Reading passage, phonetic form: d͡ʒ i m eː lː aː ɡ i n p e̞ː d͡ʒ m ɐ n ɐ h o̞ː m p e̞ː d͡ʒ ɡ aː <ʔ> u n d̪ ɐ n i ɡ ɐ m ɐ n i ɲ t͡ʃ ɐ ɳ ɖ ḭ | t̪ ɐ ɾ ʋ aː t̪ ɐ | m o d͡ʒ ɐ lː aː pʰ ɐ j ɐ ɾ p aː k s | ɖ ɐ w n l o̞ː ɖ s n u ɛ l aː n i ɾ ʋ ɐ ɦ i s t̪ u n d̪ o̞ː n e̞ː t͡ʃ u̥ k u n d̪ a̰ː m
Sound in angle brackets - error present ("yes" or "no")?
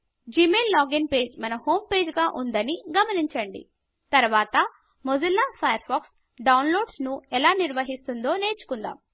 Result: no